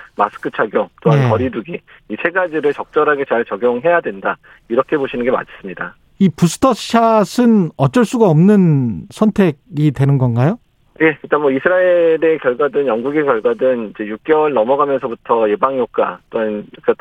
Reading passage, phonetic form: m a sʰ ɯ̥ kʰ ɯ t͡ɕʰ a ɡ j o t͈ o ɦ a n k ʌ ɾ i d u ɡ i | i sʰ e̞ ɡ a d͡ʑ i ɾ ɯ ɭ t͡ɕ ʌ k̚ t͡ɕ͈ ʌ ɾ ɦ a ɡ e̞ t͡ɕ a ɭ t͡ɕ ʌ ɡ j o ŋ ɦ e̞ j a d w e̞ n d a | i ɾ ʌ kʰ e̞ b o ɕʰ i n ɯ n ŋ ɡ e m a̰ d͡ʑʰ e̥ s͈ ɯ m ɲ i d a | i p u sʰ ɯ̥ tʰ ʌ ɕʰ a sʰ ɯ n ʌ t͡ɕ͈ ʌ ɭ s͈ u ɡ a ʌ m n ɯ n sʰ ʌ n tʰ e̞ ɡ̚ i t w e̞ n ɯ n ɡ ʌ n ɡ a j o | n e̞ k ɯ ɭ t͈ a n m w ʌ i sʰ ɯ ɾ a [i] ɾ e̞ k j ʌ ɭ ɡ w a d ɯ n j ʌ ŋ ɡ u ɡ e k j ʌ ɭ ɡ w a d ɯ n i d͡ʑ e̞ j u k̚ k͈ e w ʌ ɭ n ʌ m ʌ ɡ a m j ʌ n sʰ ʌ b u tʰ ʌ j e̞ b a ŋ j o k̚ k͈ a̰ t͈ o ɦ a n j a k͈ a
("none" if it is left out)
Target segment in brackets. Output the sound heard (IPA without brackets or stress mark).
e